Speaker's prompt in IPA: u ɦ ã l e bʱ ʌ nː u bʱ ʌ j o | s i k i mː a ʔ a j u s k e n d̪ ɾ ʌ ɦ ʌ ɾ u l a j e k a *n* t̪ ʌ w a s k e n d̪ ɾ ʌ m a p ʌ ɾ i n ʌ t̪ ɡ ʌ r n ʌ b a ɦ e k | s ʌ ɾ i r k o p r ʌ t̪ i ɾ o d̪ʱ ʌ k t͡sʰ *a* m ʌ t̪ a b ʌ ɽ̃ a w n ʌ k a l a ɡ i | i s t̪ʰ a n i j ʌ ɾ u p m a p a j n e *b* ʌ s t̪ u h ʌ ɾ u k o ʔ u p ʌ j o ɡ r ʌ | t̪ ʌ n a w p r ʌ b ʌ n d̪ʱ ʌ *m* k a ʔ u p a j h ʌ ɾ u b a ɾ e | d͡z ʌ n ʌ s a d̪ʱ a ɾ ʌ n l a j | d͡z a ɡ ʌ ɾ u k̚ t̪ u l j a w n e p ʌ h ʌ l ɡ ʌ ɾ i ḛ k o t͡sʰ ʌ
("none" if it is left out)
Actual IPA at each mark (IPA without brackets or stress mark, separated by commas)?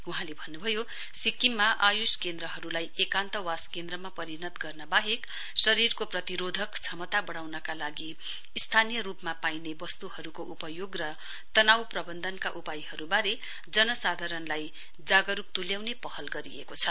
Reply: n, ʌ, b, n